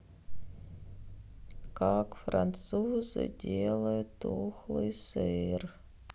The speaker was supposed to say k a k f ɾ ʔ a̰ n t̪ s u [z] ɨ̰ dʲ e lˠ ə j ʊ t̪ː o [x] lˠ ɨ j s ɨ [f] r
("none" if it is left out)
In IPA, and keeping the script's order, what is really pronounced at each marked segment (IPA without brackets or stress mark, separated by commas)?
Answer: z, x, none